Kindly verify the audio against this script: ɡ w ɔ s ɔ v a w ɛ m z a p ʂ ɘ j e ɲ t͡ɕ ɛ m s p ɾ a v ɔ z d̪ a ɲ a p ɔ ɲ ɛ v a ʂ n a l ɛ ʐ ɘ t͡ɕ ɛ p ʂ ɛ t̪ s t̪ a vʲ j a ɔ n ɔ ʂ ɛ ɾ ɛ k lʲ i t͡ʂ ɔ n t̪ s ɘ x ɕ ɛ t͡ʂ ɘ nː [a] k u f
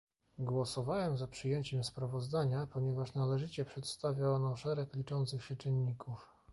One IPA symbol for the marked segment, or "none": i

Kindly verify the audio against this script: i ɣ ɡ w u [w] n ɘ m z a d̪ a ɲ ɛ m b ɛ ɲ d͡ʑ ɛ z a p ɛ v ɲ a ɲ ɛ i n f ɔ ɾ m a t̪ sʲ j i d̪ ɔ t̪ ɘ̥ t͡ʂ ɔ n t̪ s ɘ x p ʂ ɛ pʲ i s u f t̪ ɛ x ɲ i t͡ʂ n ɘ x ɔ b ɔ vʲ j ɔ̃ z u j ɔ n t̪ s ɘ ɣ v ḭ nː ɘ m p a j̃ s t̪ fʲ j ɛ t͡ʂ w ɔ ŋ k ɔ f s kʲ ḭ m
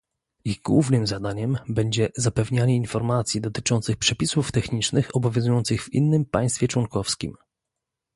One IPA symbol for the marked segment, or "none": v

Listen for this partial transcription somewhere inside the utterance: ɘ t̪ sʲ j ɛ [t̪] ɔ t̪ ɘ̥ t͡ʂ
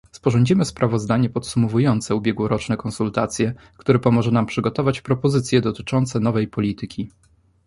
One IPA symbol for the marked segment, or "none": d̪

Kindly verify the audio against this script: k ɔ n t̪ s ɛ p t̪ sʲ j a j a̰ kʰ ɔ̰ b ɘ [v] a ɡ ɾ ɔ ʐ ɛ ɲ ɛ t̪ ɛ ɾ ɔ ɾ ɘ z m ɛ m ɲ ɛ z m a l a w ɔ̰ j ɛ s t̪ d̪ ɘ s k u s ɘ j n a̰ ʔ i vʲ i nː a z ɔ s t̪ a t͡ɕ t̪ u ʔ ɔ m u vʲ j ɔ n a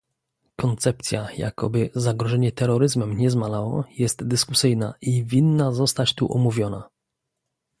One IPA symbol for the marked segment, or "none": z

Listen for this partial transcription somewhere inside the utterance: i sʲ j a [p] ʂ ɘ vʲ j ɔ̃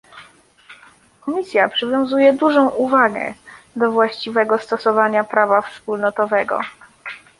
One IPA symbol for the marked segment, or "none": p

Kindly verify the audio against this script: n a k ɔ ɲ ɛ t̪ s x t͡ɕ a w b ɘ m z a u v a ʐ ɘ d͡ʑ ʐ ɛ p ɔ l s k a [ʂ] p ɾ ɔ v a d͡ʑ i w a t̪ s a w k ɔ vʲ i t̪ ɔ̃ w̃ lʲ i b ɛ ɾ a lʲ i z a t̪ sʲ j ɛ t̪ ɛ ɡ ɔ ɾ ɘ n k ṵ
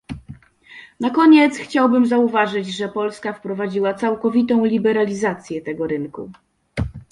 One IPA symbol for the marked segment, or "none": f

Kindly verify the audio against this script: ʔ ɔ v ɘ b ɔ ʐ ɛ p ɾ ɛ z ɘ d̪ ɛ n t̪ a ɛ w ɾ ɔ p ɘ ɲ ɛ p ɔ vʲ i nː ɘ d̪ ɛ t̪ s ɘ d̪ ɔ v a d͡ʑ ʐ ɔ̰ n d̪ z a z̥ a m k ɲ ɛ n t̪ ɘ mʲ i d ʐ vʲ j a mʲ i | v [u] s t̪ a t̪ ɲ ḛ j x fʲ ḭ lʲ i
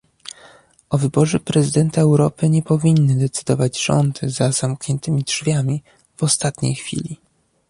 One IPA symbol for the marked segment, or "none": ɔ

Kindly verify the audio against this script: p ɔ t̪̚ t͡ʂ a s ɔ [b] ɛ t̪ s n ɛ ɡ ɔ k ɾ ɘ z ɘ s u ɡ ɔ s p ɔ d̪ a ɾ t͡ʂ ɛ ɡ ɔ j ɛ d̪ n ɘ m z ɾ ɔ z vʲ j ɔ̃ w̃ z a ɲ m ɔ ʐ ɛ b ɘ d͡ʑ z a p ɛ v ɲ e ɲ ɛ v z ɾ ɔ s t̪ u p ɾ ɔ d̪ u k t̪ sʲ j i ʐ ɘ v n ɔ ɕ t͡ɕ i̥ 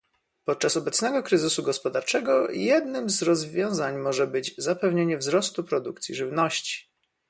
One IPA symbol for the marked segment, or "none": b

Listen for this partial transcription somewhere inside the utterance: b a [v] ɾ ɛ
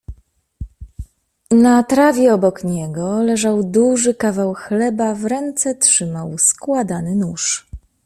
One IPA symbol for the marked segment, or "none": v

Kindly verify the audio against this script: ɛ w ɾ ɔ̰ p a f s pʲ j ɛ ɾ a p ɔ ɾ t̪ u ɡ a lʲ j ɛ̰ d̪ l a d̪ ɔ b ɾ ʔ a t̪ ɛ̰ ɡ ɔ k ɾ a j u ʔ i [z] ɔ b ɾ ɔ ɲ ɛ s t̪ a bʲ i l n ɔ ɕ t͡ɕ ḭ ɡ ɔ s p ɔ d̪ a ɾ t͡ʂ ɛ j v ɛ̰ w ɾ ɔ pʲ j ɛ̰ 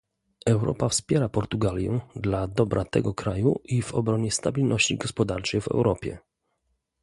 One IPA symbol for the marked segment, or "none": v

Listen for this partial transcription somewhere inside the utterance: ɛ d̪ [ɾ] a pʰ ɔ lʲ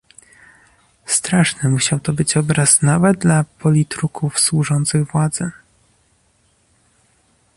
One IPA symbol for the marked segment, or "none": l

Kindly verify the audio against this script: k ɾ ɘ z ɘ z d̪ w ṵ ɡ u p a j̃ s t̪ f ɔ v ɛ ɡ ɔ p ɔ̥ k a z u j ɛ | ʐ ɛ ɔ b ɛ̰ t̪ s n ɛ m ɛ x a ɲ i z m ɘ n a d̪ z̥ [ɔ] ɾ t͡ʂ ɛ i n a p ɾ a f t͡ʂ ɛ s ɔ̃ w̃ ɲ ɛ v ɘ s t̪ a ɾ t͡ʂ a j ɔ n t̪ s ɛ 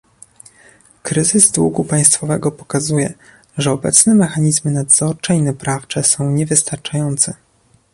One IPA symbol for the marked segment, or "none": ɔ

